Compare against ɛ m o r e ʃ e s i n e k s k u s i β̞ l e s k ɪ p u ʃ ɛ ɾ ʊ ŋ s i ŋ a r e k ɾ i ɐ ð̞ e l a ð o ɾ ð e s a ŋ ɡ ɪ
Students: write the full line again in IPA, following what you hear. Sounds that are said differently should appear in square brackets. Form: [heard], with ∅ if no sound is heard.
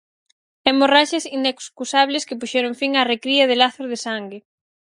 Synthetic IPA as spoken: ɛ m o r [a] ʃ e s i n e k s k u s [a] β̞ l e s k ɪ p u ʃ ɛ ɾ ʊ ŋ [f] i ŋ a r e k ɾ i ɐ ð̞ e l a [θ] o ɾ ð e s a ŋ ɡ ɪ

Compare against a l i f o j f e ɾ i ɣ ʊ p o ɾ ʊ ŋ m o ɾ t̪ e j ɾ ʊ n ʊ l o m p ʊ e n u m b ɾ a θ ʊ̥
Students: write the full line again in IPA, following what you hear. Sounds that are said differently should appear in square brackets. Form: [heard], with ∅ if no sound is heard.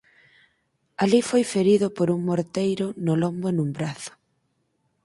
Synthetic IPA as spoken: a l i f o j f e ɾ i [ð] ʊ p o ɾ [u] ŋ m o ɾ t̪ e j ɾ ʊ n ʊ l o m [b] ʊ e n u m b ɾ a θ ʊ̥

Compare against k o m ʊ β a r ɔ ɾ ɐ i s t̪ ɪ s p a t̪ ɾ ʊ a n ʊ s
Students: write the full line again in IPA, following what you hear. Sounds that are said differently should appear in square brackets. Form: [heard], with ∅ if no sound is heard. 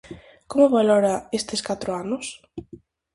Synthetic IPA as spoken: k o m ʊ β a [l] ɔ ɾ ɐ [e] s t̪ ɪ s [k] a t̪ ɾ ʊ a n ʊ s

